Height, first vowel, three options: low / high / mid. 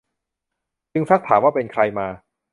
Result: high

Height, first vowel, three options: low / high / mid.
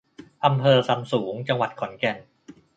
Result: low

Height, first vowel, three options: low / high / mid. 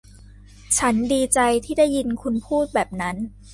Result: low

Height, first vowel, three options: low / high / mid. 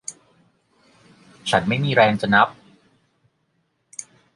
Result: low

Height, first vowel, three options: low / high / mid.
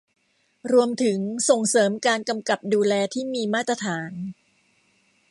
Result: high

